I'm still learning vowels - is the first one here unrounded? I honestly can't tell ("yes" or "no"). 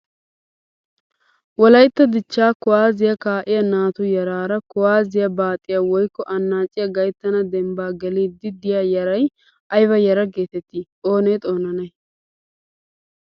no